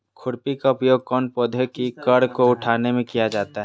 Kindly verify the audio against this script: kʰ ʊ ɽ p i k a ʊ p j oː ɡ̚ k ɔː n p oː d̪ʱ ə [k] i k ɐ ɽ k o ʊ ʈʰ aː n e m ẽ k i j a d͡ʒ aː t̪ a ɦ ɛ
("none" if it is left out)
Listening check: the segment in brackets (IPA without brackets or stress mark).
k